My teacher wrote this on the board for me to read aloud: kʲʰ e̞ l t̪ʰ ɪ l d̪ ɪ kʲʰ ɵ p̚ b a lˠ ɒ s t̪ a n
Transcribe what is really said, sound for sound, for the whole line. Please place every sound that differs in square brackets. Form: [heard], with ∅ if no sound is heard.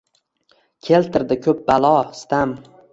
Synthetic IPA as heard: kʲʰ e̞ l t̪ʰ ɪ [ɾ] d̪ ɪ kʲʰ ɵ p̚ b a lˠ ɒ s t̪ a [m]